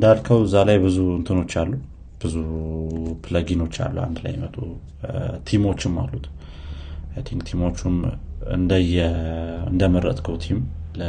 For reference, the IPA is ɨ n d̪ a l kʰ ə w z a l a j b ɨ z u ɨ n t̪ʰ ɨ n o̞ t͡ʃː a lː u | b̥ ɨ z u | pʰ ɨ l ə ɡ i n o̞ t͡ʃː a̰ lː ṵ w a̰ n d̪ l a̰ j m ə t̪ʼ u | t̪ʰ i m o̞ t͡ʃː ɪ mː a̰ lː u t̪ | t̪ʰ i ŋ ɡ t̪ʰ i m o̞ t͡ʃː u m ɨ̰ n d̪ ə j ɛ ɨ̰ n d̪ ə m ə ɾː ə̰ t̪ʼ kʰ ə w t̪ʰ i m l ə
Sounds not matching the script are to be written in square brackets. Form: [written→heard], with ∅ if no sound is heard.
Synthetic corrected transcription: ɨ n d̪ a l kʰ ə w z a l a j b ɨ z u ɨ n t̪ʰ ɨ n o̞ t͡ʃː a lː u | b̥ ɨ z u | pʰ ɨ l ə ɡ i n o̞ t͡ʃː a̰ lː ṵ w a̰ n d̪ l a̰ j m ə t̪ʼ u | t̪ʰ i m o̞ t͡ʃː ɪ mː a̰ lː u t̪ | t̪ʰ i ŋ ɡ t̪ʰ i m o̞ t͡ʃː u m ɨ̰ n d̪ ə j ɛ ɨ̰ n d̪ ə m ə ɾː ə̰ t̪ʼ kʰ ə w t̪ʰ i m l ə